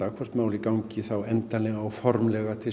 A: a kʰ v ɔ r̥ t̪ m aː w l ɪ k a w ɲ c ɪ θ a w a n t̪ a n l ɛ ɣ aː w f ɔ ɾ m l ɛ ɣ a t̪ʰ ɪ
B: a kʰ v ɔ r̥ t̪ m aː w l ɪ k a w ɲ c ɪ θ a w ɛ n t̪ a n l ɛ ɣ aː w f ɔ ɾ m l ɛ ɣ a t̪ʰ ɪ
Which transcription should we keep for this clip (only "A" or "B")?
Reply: B